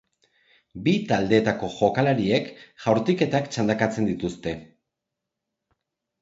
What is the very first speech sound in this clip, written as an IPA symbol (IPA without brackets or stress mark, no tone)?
b